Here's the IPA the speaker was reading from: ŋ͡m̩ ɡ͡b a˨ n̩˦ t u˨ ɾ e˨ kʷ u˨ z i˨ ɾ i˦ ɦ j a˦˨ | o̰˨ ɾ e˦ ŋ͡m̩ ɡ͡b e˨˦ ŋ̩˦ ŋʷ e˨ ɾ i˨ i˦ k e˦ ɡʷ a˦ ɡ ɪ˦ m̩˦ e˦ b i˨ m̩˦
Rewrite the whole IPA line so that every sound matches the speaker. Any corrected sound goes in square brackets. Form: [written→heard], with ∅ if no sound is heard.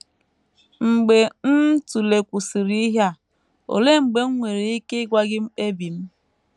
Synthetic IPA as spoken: ŋ͡m̩ ɡ͡b [a˨→e˨] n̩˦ t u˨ [ɾ→l] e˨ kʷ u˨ [z→s] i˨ ɾ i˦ ɦ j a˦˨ | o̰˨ [ɾ→l] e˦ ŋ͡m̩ ɡ͡b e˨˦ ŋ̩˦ ŋʷ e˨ ɾ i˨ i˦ k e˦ ɡʷ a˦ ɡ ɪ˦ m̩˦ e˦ b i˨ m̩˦